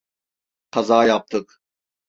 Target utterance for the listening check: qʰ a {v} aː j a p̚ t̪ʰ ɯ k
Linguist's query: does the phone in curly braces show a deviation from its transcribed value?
yes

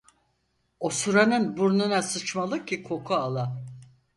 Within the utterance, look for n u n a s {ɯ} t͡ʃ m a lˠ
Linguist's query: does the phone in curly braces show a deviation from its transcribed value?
no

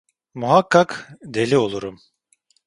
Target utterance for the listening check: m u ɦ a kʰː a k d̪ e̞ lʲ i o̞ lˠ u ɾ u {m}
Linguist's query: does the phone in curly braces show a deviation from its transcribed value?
no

